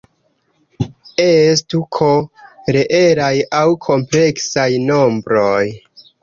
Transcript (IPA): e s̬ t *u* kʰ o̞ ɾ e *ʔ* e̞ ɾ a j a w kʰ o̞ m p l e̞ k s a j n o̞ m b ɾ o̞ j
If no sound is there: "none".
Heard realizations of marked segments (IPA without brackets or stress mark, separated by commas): u, ʔ